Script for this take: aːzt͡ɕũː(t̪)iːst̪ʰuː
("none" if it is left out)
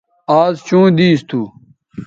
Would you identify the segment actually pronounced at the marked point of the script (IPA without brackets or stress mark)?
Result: d̪